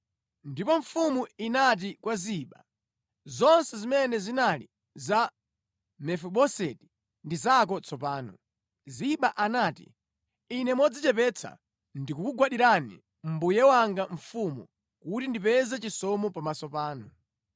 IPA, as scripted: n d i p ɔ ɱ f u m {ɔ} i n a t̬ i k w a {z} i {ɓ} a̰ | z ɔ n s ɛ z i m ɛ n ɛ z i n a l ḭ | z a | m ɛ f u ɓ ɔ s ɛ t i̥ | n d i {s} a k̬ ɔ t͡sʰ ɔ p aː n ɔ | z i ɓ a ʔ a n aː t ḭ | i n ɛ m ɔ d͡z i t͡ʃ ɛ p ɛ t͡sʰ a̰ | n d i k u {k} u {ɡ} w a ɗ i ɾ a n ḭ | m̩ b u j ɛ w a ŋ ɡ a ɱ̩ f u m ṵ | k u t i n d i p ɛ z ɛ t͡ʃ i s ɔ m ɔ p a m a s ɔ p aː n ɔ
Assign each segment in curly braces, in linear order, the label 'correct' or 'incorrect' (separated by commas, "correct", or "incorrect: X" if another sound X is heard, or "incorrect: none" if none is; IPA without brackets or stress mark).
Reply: incorrect: u, correct, correct, incorrect: z, correct, correct